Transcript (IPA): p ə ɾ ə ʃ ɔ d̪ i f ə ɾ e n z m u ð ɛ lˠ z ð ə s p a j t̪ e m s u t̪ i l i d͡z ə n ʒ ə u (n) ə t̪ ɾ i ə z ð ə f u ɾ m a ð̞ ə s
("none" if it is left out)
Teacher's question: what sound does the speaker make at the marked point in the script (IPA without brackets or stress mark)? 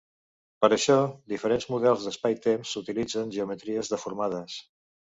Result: m